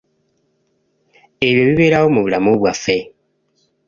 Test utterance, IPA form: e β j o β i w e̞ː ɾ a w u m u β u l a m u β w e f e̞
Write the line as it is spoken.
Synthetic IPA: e β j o β i β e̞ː ɾ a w o m u β u l a m u β w a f e̞